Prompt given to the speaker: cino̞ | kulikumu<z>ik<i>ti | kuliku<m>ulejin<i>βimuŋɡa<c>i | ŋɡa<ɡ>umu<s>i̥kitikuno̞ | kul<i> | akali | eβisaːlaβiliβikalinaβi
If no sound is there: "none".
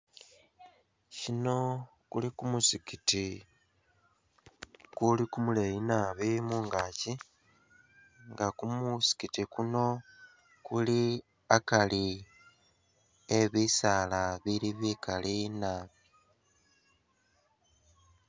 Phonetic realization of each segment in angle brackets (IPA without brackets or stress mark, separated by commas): s, i, m, a, c, k, s, i